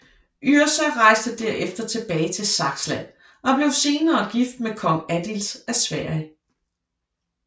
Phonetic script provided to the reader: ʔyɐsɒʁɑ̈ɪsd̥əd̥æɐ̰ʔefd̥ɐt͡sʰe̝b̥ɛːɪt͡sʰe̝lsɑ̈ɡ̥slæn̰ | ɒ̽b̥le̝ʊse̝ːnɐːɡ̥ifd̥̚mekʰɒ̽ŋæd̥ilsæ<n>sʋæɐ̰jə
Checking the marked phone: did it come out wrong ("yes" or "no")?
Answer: yes